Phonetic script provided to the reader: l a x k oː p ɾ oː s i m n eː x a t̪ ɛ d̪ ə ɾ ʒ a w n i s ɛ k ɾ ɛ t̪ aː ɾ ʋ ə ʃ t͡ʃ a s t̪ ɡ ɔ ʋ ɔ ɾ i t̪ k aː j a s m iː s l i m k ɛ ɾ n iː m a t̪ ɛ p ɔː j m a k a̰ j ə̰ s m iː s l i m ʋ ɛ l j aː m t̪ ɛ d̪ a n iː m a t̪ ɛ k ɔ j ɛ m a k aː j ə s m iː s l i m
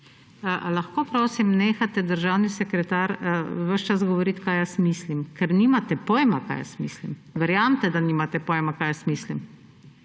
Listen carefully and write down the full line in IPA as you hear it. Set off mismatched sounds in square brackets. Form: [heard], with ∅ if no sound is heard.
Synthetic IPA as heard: l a x k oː p ɾ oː s i m n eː x a t̪ ɛ d̪ ə ɾ ʒ a w n i s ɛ k ɾ ɛ t̪ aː ɾ ʋ ə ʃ t͡ʃ a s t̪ ɡ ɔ ʋ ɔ ɾ i t̪ k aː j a s m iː s l i m k ɛ ɾ n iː m a t̪ ɛ p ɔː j m a k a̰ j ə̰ s m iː s l i m ʋ ɛ [ɾ] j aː m t̪ ɛ d̪ a n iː m a t̪ ɛ [p] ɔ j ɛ m a k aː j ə s m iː s l i m